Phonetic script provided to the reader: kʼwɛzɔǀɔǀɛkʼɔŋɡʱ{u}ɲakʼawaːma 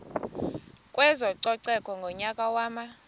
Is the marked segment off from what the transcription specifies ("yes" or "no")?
yes